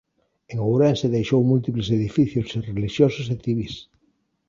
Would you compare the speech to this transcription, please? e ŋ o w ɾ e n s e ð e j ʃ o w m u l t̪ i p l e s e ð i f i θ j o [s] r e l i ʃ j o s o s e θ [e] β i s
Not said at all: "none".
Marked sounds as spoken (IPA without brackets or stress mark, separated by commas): s, i